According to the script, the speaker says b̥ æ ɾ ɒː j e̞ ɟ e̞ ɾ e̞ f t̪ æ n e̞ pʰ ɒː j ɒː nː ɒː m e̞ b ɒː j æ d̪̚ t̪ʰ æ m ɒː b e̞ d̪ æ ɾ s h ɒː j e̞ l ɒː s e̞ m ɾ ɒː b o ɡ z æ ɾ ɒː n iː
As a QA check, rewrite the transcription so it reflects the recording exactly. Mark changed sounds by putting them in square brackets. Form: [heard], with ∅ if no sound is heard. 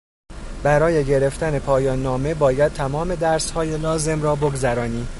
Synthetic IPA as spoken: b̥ æ ɾ ɒː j e̞ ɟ e̞ ɾ e̞ f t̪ æ n e̞ pʰ ɒː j ɒː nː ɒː m e̞ b ɒː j æ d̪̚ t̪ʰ æ m ɒː [m] e̞ d̪ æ ɾ s h ɒː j e̞ l ɒː [z] e̞ m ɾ ɒː b o ɡ z æ ɾ ɒː n iː